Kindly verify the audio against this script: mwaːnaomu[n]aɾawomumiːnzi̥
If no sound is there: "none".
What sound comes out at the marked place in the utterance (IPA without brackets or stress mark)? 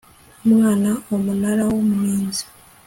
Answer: n